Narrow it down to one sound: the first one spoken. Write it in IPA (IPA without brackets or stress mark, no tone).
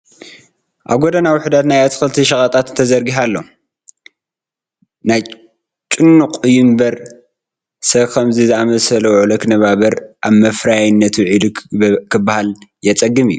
ʔ